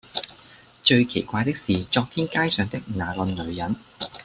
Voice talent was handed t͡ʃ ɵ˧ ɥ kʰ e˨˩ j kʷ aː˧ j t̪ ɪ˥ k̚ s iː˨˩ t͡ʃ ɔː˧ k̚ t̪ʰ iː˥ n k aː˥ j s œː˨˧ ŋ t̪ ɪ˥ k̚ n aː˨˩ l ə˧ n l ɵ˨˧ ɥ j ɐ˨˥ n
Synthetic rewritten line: t͡ʃ ɵ˧ ɥ kʰ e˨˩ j kʷ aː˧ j t̪ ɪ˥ k̚ s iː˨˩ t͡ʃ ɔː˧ k̚ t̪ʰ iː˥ n k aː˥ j s œː˨˧ ŋ t̪ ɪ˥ k̚ n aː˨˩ l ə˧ n l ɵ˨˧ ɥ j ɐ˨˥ n